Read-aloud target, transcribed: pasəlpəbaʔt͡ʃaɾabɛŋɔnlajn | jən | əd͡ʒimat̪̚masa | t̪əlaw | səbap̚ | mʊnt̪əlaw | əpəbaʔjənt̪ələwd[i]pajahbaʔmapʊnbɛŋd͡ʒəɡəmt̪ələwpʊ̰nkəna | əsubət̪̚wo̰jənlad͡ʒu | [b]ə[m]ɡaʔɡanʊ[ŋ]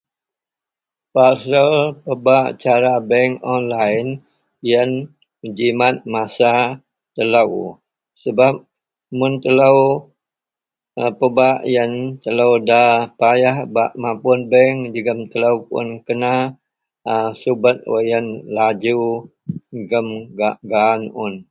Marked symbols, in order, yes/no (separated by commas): no, no, yes, no